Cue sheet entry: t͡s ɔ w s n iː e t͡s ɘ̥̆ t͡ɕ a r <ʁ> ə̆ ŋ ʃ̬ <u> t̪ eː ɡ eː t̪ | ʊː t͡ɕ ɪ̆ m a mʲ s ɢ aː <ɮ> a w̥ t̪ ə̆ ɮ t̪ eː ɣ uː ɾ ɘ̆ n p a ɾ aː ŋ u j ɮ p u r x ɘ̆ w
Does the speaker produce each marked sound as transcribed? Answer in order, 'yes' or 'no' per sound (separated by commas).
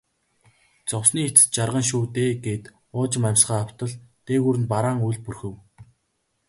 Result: yes, no, no